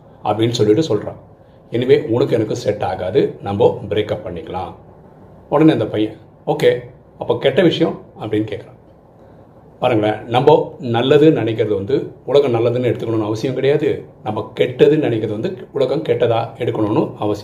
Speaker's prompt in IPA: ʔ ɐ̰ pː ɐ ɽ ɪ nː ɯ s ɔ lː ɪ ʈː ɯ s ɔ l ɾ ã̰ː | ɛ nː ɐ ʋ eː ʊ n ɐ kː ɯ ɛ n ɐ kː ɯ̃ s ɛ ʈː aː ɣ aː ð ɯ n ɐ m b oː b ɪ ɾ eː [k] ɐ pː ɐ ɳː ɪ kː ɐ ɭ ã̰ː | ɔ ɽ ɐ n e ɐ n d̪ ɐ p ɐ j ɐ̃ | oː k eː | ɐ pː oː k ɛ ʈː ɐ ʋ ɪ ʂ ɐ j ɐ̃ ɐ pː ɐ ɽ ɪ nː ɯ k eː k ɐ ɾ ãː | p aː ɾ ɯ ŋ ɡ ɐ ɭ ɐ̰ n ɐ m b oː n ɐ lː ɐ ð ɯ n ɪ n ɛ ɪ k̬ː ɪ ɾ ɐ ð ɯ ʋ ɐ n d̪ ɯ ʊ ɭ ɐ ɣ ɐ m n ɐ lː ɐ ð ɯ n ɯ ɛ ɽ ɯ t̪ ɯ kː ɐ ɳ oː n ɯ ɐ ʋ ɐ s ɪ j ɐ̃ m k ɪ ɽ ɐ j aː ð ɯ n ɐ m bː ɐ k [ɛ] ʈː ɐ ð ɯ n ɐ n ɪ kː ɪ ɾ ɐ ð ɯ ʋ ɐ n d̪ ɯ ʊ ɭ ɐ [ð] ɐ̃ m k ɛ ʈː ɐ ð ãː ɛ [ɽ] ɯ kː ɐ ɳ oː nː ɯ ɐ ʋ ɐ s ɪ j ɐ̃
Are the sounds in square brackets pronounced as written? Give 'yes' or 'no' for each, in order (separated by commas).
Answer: yes, yes, no, yes